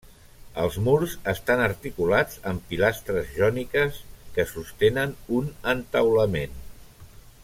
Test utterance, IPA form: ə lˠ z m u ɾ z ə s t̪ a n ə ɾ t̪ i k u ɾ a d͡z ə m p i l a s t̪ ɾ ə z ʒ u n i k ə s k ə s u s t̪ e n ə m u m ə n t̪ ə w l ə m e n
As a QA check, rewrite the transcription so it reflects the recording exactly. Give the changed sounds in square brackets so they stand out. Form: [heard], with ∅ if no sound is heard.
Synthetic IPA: ə lˠ z m u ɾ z ə s t̪ a n ə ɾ t̪ i k u [l] a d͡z ə m p i l a s t̪ ɾ ə z ʒ [ɔ] n i k ə s k ə s u s t̪ e n ə [n] u [n] ə n t̪ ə w l ə m e n